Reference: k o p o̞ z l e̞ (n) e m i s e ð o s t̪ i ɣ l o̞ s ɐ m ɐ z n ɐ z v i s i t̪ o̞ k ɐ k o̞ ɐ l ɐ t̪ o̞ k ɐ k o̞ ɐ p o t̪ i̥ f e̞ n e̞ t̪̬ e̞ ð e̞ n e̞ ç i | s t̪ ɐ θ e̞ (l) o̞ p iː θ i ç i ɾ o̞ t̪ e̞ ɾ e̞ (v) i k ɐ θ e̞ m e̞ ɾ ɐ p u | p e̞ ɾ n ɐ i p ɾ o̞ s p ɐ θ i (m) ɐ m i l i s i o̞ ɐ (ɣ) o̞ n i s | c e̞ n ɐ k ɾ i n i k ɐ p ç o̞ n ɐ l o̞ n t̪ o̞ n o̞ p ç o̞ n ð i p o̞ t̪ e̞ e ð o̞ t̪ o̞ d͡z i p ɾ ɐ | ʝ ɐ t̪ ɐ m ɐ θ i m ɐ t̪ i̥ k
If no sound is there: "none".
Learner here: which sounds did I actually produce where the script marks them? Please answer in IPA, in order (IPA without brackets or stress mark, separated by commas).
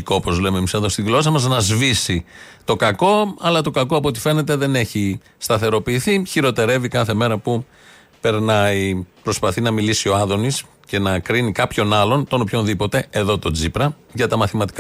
m, ɾ, v, n, ð